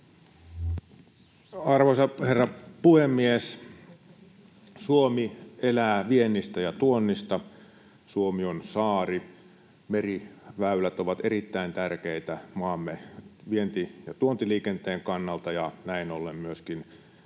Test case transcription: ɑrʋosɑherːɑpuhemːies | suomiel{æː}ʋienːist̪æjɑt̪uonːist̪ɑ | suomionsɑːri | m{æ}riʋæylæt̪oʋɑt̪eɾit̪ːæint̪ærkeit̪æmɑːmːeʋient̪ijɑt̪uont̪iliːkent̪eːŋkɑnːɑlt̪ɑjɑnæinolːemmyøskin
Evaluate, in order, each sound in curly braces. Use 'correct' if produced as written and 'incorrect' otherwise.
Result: correct, incorrect

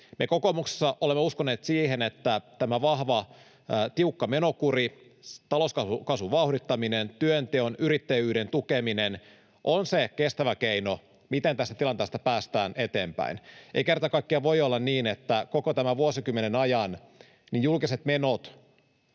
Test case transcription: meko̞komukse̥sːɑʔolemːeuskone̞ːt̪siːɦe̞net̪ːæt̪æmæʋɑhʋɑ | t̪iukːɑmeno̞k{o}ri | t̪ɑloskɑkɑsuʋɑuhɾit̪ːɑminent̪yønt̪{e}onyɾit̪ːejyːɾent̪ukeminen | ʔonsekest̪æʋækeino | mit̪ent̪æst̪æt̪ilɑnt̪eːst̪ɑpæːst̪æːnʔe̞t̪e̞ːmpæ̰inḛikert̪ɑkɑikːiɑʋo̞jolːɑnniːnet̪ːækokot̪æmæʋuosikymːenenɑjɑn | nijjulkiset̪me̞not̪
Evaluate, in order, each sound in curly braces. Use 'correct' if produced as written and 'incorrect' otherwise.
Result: incorrect, correct

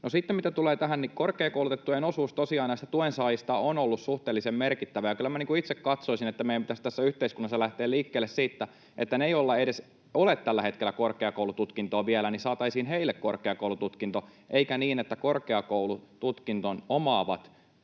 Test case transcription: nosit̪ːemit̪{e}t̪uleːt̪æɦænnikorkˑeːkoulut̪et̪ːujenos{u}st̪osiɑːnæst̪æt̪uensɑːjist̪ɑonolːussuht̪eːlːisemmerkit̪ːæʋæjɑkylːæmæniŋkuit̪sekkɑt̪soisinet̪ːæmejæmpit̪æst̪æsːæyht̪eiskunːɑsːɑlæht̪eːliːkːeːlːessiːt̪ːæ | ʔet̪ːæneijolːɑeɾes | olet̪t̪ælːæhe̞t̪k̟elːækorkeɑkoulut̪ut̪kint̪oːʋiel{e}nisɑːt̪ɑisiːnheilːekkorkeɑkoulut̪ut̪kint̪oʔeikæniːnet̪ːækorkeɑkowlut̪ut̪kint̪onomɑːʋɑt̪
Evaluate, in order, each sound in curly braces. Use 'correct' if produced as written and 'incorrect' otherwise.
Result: incorrect, incorrect, incorrect

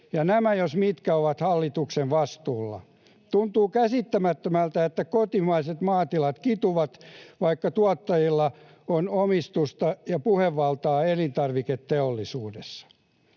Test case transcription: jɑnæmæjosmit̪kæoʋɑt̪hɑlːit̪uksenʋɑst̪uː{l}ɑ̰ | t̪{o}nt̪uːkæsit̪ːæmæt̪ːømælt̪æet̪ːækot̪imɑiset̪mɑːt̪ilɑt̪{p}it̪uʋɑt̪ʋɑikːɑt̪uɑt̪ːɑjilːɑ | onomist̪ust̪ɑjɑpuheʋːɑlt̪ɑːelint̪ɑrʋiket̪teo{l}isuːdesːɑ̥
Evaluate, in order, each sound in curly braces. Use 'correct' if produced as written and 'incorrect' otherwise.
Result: incorrect, incorrect, incorrect, incorrect

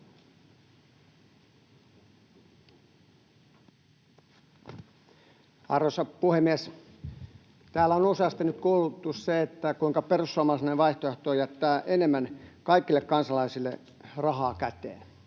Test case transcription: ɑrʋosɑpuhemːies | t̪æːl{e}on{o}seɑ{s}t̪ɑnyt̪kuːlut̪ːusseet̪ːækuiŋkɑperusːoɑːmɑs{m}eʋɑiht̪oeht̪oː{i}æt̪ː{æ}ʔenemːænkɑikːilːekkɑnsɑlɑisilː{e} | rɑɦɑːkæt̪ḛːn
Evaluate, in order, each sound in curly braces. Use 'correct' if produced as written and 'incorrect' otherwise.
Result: incorrect, incorrect, correct, incorrect, incorrect, incorrect, correct

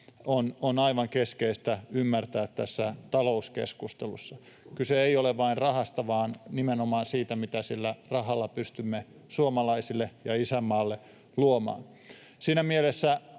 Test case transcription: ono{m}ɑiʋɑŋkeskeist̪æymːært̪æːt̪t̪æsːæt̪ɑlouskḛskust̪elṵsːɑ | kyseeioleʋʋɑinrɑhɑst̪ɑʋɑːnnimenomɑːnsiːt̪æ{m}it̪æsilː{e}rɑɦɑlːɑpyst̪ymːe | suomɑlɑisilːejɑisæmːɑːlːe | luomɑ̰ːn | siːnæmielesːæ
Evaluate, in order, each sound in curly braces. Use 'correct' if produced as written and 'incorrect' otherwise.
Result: incorrect, correct, incorrect

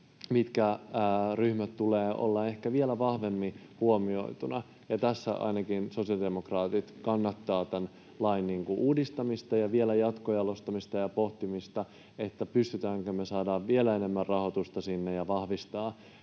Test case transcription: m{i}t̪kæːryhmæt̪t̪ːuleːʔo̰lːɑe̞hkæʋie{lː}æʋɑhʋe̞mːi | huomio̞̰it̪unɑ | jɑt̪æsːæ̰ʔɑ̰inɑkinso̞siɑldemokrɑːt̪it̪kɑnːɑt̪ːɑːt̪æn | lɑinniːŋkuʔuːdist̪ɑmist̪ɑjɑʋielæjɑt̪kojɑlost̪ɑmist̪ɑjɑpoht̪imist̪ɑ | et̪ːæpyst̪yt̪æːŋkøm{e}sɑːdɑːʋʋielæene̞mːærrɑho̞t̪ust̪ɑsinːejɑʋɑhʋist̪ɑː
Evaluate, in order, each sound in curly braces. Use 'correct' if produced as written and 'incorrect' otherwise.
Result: correct, incorrect, correct

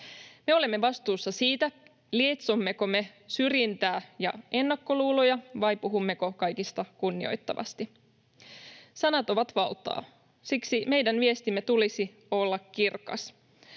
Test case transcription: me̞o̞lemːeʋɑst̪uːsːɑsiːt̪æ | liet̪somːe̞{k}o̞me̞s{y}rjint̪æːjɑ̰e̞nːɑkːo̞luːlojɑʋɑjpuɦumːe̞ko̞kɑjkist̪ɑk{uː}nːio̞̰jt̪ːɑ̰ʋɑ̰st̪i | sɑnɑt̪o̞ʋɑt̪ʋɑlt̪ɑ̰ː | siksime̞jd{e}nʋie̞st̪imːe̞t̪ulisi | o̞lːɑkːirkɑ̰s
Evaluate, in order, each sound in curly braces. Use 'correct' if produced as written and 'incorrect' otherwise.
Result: correct, correct, incorrect, incorrect

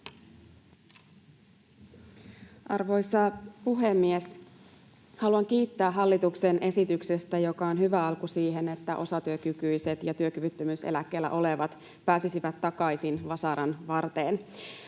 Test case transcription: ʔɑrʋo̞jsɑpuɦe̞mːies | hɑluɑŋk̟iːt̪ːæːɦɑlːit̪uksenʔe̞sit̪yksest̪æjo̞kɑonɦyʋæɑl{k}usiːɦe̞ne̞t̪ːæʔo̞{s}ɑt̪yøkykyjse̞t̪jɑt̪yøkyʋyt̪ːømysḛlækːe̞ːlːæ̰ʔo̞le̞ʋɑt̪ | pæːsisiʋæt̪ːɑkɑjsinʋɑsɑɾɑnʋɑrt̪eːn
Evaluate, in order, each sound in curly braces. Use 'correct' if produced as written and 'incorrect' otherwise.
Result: correct, correct

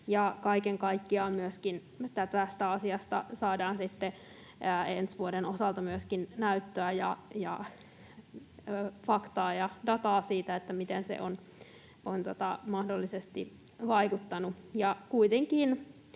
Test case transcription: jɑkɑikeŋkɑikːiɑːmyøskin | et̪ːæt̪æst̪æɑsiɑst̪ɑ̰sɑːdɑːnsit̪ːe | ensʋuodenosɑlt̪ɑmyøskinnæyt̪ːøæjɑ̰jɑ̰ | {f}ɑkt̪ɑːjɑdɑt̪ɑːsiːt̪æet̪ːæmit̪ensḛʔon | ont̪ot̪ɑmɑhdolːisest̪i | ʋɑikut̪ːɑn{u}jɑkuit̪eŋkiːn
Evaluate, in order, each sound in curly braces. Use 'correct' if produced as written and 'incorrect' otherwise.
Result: correct, correct

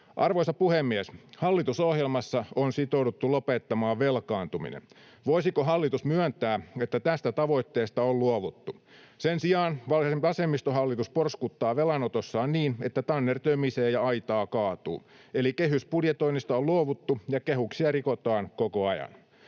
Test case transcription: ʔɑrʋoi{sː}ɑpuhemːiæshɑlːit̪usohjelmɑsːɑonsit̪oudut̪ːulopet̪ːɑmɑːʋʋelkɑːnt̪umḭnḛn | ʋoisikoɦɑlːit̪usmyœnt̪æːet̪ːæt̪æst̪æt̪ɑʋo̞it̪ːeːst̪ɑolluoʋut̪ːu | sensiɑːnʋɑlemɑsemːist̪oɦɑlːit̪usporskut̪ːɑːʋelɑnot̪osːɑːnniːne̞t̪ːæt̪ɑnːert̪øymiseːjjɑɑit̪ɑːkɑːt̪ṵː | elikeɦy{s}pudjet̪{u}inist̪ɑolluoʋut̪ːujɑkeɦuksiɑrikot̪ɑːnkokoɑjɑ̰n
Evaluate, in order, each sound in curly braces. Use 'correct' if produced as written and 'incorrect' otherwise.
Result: incorrect, correct, incorrect

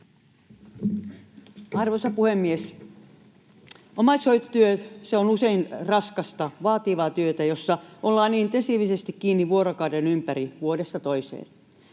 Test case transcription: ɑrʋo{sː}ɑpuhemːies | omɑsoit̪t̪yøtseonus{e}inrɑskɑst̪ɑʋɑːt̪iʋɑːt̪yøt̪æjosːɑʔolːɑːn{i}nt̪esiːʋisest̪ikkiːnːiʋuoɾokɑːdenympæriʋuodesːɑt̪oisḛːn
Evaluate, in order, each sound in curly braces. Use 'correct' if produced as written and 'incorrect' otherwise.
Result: incorrect, correct, incorrect

